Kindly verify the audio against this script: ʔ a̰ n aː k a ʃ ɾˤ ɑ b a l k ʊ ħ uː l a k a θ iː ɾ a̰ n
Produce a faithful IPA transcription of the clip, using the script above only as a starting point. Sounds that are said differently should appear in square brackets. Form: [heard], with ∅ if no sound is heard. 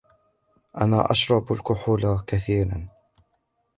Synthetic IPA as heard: ʔ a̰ n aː [ʔ] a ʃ ɾˤ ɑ b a l k ʊ ħ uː l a k a θ iː ɾ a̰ n